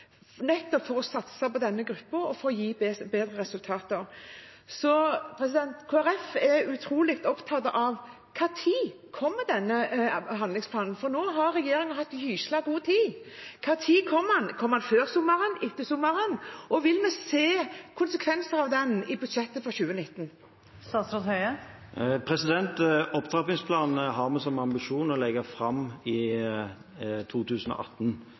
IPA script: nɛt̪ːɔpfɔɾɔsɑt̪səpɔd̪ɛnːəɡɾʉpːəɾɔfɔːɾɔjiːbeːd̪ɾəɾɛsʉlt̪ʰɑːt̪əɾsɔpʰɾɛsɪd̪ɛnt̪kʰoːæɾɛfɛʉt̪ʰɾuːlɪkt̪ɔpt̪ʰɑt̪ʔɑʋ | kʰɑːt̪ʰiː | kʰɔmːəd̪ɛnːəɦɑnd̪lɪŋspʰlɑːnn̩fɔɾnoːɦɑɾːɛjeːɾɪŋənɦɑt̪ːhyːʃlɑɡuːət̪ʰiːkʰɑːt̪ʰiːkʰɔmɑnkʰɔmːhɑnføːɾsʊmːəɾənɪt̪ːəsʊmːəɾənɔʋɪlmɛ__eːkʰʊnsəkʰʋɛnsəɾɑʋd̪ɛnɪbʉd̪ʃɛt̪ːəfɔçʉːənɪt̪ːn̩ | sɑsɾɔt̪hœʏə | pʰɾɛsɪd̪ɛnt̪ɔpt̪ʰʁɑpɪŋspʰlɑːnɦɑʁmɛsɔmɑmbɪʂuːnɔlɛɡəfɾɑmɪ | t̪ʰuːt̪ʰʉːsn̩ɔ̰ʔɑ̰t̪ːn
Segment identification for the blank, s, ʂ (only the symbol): s